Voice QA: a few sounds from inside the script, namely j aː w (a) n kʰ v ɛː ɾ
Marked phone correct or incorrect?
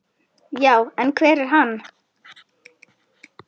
incorrect